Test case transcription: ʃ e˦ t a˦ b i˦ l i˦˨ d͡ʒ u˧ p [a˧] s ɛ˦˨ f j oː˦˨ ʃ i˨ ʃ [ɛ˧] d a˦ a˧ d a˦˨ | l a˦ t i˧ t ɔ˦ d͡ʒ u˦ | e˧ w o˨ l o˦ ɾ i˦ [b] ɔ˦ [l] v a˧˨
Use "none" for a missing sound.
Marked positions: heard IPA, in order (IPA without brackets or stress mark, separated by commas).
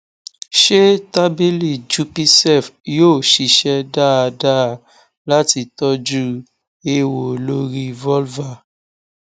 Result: i˧, ɛ˧, v, l